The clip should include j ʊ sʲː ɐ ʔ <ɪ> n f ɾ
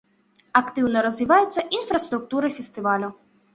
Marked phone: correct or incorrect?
incorrect